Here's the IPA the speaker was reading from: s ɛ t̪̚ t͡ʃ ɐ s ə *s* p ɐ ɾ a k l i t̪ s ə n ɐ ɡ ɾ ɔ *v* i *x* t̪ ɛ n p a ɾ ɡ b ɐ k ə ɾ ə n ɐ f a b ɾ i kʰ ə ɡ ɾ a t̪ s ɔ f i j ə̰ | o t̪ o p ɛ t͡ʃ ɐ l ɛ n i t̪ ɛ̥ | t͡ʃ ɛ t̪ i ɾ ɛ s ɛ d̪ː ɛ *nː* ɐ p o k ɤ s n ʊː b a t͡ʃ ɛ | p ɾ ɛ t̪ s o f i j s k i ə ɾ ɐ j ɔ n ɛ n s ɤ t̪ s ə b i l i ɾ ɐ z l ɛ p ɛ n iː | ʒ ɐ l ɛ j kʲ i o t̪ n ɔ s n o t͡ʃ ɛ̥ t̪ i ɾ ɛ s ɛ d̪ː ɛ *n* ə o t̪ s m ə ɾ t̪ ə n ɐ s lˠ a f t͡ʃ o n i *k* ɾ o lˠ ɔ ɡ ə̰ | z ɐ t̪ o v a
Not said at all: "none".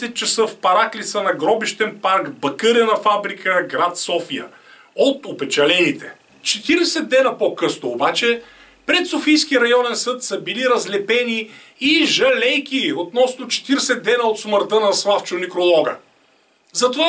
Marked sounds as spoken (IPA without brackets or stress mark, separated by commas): f, b, ʃ, n, n, k